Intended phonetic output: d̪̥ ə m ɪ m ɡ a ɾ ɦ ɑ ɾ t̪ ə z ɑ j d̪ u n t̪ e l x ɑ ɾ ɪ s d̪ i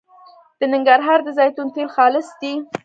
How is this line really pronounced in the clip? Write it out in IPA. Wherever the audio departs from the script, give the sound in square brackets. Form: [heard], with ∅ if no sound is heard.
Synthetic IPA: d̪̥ ə [n] ɪ [ŋ] ɡ a ɾ ɦ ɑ ɾ [d̪] ə z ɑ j [t̪] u n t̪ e l x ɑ [l] ɪ s d̪ i